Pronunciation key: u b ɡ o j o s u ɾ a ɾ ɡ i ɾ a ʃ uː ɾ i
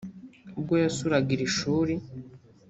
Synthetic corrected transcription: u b ɡ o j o s u ɾ a ɡ i ɾ i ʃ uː ɾ i